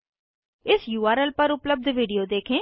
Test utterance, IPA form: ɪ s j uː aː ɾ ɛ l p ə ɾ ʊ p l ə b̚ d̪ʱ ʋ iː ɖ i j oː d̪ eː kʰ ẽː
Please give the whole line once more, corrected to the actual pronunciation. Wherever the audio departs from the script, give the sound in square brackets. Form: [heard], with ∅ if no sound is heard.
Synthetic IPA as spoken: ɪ s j uː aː ɾ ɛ l p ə ɾ ʊ p l ə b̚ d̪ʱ ʋ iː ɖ i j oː d̪ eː kʰ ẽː